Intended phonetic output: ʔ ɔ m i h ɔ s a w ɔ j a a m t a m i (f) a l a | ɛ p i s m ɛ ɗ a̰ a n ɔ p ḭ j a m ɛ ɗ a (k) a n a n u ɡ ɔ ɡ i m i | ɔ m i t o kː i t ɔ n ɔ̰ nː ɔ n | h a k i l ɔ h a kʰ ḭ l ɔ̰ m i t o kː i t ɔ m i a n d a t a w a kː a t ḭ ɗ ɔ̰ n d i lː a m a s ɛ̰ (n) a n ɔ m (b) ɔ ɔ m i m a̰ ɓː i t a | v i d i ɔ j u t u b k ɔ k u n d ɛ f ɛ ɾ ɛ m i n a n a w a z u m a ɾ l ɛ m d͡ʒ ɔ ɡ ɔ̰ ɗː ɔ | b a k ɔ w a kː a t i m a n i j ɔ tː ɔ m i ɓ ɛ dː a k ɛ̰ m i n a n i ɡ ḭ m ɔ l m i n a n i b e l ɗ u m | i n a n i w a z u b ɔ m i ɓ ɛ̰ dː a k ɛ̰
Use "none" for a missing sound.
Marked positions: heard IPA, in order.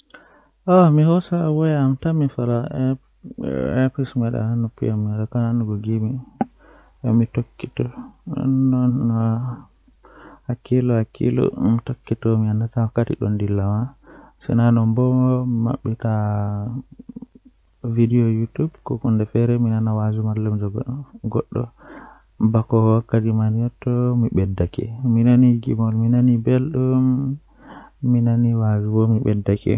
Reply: f, k, n, b

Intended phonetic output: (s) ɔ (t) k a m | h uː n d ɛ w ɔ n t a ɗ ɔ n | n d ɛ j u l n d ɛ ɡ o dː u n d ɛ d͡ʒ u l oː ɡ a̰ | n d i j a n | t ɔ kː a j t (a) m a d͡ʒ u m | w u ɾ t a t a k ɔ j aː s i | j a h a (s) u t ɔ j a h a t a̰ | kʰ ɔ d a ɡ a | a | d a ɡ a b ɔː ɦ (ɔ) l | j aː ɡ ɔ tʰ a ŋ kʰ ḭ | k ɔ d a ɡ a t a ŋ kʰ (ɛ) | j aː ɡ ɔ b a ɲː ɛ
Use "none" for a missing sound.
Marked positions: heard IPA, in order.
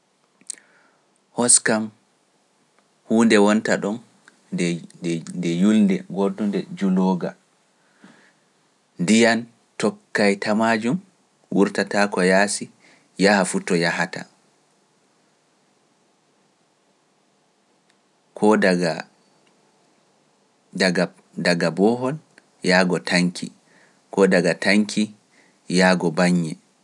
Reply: h, s, a, f, ɔ, i

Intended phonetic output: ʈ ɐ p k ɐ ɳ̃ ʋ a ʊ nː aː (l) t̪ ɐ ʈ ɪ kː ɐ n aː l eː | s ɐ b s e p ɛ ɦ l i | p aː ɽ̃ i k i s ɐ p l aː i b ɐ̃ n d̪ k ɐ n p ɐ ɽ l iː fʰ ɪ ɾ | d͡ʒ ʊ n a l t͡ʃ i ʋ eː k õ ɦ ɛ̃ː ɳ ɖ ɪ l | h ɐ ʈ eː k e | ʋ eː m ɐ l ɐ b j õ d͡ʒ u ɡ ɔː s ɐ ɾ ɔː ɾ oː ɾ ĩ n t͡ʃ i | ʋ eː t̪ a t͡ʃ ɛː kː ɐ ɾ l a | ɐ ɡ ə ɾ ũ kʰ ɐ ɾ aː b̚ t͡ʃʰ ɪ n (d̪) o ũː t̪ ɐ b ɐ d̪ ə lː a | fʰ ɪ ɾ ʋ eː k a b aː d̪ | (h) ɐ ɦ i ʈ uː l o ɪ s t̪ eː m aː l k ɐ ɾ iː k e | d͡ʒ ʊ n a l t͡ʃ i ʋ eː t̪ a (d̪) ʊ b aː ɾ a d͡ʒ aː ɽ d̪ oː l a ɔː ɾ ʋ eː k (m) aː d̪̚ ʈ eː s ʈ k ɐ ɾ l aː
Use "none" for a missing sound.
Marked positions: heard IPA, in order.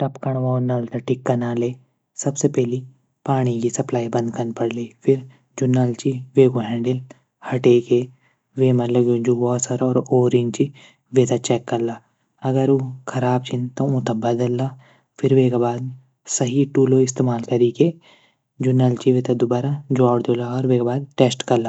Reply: l, t̪, s, d̪, b

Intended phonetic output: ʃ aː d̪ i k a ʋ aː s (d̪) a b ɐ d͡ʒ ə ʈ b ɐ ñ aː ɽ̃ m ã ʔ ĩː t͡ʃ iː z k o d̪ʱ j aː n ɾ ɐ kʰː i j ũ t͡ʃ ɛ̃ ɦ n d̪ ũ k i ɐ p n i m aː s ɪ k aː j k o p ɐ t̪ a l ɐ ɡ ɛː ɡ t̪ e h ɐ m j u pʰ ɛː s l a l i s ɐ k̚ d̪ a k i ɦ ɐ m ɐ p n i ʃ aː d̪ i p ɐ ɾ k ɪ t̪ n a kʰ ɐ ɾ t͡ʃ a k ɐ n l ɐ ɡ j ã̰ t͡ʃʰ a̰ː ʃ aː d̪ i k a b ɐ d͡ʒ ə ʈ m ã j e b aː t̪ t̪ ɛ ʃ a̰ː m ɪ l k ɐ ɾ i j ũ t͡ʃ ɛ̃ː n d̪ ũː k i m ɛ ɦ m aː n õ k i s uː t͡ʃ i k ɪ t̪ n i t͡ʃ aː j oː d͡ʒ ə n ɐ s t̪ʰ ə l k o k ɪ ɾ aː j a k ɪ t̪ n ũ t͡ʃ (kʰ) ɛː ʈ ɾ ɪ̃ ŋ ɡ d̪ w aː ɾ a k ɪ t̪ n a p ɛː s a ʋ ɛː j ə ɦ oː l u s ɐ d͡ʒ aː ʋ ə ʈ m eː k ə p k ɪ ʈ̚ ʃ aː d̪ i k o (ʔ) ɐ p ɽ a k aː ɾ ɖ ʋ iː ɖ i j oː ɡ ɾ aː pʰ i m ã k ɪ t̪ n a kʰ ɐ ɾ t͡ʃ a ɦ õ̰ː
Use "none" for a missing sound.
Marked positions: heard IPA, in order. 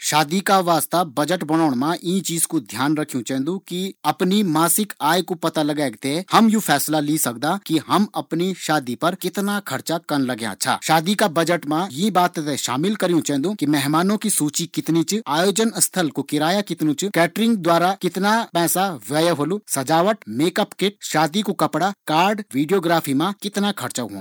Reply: t̪, k, k

